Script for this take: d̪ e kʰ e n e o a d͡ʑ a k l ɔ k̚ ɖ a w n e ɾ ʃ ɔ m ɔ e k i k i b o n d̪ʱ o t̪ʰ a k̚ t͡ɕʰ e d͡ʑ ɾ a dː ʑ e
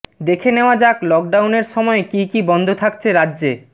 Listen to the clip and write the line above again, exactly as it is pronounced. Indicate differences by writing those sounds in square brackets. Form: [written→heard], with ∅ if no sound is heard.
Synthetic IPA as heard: d̪ e kʰ e n e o a d͡ʑ a k l ɔ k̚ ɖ a w n e ɾ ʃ ɔ m ɔ e k i k i b [o→ɔ] n d̪ʱ o t̪ʰ a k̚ t͡ɕʰ e [d͡ʑ→∅] ɾ a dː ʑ e